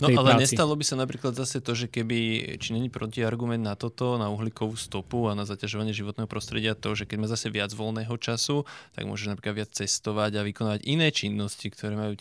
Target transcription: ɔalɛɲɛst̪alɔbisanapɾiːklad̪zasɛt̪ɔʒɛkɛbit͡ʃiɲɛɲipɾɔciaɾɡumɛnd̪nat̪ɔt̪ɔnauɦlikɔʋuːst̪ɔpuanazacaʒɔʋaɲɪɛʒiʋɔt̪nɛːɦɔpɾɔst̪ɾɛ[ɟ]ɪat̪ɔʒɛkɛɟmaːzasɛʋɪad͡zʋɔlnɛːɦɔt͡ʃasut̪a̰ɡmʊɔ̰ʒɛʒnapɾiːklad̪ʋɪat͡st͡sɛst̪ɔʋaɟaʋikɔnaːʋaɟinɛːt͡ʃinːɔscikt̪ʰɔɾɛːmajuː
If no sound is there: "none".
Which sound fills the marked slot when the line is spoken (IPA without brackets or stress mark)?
ɟ